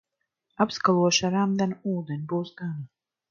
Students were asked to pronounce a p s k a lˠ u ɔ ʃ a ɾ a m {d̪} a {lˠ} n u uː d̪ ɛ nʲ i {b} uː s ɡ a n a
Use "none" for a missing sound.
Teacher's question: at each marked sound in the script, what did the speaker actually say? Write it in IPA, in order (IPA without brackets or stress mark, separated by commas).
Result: d̪, none, b